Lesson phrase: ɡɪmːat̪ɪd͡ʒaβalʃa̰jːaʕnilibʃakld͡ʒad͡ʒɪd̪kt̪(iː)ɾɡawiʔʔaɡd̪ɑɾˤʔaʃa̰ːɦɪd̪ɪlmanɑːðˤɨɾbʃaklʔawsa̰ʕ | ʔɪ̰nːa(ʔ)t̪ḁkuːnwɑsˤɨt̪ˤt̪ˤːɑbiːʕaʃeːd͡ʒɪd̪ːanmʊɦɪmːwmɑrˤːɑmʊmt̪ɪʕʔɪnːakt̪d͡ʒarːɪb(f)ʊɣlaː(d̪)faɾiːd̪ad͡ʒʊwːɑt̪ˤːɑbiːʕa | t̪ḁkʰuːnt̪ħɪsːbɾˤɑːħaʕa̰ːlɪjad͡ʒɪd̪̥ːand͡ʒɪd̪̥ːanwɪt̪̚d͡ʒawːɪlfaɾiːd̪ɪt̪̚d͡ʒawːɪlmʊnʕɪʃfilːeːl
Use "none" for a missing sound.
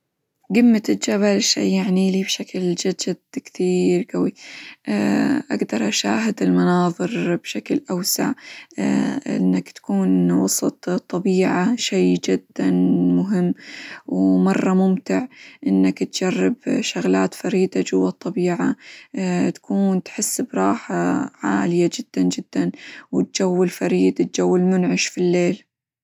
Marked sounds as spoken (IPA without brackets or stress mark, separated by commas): iː, k, ʃ, t̪